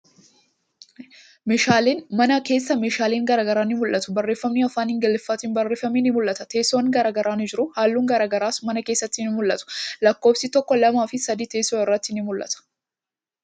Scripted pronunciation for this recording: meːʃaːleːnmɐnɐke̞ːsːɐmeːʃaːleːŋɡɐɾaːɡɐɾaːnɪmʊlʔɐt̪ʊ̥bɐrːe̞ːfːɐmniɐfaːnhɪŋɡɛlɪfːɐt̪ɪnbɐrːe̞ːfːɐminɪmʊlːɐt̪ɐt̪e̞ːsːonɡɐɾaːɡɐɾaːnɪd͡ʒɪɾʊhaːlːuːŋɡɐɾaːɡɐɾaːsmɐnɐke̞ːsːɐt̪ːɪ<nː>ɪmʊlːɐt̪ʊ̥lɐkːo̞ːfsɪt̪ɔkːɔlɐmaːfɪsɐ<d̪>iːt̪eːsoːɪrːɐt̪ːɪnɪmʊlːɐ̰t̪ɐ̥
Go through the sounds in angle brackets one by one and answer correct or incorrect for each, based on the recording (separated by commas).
incorrect, correct